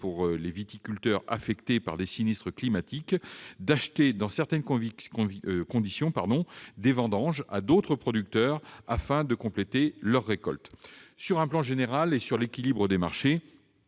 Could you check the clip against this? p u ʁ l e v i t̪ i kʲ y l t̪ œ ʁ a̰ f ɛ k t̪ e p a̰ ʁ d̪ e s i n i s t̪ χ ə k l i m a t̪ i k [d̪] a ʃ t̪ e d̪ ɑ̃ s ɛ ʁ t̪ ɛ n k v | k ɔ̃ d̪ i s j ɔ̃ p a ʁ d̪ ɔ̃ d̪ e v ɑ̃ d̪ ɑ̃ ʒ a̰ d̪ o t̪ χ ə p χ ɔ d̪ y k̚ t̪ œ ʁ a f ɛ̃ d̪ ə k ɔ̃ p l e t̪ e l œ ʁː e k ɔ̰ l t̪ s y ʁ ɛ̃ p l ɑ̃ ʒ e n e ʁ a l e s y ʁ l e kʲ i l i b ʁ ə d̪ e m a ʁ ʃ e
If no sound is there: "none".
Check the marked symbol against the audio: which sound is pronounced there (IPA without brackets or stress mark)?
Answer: d̪